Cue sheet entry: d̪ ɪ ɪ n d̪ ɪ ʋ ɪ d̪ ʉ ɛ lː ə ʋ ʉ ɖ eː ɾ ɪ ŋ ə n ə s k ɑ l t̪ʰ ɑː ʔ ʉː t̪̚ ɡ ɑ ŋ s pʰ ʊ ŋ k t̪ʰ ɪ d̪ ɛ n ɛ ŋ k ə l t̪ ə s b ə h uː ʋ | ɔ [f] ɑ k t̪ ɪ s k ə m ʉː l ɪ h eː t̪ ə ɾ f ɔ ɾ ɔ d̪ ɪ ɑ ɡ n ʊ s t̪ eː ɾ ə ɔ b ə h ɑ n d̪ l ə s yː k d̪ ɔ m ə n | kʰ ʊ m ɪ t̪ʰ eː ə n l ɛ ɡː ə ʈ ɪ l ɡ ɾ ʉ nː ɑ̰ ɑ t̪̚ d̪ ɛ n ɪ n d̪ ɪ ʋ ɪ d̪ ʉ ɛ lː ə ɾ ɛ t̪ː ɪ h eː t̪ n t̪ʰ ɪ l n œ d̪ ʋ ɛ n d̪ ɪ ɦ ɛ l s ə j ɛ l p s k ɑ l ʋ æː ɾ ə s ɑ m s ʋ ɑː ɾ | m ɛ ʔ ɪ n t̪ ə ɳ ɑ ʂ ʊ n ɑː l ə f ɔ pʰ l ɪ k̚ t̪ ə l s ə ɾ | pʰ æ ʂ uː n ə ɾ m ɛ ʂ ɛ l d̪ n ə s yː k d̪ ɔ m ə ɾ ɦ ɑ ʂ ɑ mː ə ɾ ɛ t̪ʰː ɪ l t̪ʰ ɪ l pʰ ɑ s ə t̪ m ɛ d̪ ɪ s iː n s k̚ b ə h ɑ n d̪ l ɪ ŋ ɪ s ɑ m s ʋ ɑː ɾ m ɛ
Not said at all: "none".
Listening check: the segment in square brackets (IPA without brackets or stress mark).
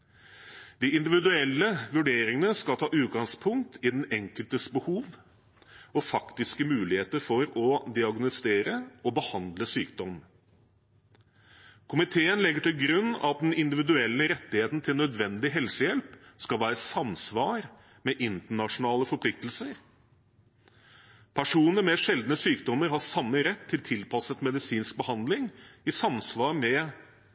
f